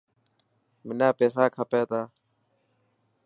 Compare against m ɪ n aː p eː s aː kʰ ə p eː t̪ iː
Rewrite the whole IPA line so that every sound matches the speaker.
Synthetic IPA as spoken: m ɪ n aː p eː s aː kʰ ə p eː t̪ aː